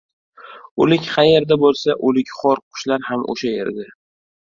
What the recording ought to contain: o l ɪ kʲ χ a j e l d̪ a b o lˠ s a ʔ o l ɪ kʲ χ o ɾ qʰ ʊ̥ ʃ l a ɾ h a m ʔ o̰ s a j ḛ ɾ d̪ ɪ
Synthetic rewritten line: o l ɪ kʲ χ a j e ɾ d̪ a b o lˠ s a ʔ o l ɪ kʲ χ ɒ ɾ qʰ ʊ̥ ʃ l a ɾ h a m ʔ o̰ ʃ a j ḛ ɾ d̪ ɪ